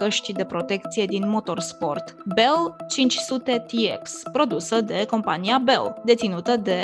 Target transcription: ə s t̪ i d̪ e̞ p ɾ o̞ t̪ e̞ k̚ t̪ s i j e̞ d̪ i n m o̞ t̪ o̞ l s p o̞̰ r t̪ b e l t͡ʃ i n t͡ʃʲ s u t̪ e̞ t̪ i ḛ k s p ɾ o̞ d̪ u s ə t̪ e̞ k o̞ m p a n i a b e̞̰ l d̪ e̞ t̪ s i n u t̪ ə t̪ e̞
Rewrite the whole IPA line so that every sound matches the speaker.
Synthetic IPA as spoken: ə ʃ t̪ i d̪ e̞ p ɾ o̞ t̪ e̞ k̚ t̪ s i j e̞ d̪ i n m o̞ t̪ o̞ r s p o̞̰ r t̪ b e l t͡ʃ i n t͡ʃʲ s u t̪ e̞ t̪ i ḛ k s p ɾ o̞ d̪ u s ə d̪ e̞ k o̞ m p a n i a b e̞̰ l d̪ e̞ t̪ s i n u t̪ ə d̪ e̞